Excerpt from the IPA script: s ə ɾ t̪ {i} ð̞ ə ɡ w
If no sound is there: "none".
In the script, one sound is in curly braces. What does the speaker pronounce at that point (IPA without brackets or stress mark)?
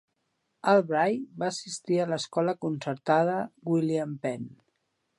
a